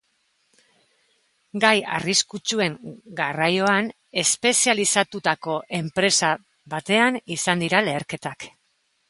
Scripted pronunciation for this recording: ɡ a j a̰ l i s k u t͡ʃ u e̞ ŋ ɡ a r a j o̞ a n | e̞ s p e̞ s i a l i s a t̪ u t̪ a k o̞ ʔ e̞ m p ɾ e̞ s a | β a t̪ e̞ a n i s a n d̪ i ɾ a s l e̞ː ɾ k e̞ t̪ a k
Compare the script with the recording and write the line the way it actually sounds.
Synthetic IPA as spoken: ɡ a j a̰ r i s k u t͡ʃ u e̞ ŋ ɡ a r a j o̞ a n | e̞ s p e̞ s i a l i s a t̪ u t̪ a k o̞ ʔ e̞ m p ɾ e̞ s a | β a t̪ e̞ a n i s a n d̪ i ɾ a l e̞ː ɾ k e̞ t̪ a k